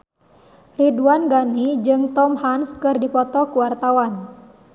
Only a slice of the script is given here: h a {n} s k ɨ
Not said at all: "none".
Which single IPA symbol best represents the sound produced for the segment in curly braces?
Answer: n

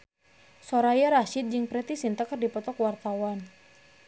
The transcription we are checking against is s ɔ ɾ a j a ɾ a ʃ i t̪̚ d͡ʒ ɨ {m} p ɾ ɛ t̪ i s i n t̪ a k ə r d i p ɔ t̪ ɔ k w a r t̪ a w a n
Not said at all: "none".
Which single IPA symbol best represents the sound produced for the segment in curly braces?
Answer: ŋ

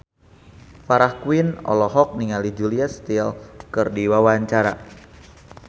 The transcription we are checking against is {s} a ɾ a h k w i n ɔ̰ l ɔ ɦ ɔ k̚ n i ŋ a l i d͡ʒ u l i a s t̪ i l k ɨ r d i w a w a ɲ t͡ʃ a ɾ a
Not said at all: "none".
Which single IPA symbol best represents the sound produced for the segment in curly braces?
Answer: f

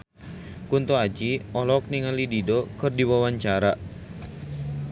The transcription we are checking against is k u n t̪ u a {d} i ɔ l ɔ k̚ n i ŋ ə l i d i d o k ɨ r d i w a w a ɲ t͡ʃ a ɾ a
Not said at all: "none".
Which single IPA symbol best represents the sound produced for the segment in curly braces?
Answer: d͡ʒ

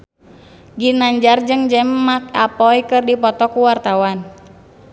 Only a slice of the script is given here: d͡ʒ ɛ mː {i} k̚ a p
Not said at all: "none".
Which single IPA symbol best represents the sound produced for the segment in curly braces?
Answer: a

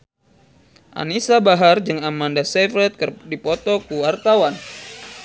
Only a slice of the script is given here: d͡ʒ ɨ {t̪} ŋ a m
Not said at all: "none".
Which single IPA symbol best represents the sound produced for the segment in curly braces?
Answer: none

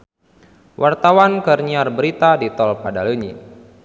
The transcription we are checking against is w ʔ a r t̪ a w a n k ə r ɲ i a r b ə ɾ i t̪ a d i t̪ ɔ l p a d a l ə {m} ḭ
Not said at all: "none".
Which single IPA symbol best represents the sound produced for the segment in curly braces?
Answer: ɲ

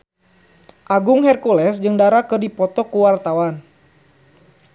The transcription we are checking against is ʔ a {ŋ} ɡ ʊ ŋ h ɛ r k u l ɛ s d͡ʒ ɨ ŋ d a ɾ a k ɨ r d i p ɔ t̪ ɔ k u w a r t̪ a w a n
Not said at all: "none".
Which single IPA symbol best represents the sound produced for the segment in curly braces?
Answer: none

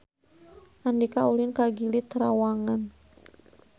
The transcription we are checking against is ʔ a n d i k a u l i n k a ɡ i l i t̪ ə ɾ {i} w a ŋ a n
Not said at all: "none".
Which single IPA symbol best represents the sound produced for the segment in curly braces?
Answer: a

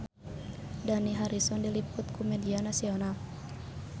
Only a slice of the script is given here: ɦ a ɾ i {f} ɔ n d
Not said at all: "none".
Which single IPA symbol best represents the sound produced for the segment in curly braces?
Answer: s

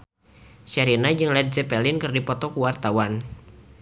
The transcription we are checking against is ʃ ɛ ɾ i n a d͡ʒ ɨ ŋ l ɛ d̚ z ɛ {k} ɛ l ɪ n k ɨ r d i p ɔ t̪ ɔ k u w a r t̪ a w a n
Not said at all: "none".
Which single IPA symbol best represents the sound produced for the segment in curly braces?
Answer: p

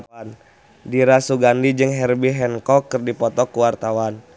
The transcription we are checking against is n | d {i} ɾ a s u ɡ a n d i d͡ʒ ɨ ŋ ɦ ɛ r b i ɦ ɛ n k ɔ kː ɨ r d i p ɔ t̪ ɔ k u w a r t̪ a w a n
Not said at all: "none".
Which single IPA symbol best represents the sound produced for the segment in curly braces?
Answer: i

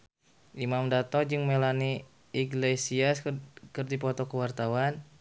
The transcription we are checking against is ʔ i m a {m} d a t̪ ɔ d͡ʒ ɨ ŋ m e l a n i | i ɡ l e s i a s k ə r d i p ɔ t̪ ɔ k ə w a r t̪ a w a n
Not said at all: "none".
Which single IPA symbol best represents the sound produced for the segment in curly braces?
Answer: m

